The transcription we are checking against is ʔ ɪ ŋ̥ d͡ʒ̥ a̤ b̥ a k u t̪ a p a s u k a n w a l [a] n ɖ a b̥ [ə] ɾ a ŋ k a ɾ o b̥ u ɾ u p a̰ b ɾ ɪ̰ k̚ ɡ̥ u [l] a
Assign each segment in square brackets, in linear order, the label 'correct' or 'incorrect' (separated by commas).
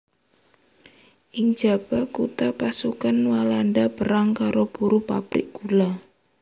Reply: correct, correct, correct